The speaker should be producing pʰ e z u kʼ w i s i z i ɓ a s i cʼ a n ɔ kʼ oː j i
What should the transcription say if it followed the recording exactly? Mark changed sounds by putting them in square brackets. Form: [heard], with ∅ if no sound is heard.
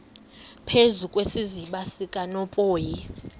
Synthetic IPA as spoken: pʰ e z u kʼ w [e] s i z i ɓ a s i [kʼ] a n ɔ [pʼ] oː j i